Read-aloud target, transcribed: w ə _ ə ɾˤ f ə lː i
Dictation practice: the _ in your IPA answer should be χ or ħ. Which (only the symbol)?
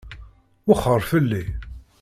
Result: χ